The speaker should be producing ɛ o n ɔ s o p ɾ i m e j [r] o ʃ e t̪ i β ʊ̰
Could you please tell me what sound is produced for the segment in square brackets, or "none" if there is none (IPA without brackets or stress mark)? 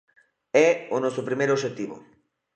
ɾ